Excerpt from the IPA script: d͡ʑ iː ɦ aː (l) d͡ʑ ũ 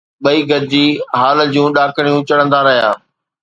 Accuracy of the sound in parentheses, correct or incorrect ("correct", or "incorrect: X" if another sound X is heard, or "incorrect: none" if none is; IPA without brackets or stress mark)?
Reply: correct